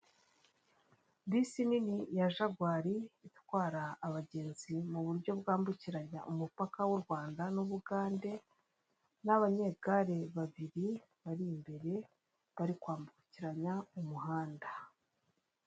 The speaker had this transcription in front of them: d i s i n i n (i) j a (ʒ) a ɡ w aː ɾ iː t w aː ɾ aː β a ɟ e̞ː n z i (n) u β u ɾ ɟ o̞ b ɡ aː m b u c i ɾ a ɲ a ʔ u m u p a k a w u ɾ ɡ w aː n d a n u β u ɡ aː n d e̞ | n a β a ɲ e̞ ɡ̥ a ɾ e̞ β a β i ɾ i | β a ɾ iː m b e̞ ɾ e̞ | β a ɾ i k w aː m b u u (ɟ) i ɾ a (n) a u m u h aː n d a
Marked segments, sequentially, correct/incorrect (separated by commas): correct, correct, incorrect, incorrect, incorrect